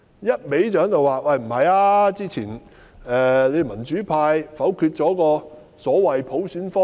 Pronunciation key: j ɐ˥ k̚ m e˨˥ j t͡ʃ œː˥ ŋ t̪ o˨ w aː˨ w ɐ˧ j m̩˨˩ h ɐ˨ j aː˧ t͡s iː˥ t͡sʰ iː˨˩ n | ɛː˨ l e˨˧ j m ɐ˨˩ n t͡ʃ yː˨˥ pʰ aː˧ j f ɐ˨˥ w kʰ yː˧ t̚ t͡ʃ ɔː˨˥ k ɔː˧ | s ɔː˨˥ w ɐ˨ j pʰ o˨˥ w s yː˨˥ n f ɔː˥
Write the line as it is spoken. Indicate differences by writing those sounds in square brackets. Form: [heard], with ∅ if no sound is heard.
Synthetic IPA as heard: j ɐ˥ [t̚] m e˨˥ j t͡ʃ [œː˨˥] ŋ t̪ o˨ w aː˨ w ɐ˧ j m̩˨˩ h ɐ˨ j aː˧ t͡s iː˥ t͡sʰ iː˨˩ n | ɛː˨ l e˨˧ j m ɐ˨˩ n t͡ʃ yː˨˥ pʰ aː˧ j f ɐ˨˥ w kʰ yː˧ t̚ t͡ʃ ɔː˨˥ k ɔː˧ | s ɔː˨˥ w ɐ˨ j pʰ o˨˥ w s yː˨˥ n f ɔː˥